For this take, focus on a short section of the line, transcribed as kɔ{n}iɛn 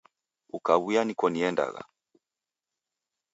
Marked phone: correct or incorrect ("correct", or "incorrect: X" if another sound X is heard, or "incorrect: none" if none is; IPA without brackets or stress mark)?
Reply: correct